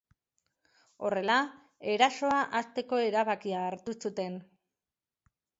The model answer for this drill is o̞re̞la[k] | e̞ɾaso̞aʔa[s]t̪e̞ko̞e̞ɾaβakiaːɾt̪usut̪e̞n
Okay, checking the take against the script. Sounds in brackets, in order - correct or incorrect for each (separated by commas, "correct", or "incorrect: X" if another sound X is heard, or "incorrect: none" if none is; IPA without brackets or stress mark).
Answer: incorrect: none, correct